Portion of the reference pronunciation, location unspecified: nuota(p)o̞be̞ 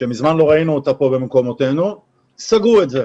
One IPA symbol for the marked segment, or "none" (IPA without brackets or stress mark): p